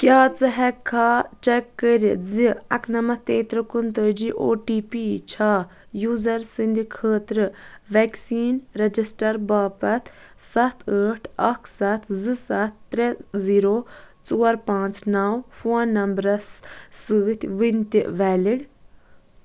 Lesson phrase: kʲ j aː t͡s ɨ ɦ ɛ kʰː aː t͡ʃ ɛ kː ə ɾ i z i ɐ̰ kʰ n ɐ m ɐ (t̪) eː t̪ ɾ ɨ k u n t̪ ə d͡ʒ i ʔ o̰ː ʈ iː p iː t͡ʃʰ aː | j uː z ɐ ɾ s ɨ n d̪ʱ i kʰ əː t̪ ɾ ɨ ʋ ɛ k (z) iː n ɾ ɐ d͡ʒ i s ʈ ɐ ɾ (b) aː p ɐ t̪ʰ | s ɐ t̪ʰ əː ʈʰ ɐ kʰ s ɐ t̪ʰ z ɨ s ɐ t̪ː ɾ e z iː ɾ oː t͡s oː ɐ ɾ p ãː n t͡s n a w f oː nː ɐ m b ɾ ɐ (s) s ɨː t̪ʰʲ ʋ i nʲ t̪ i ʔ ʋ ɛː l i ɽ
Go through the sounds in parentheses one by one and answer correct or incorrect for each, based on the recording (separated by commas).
correct, incorrect, correct, correct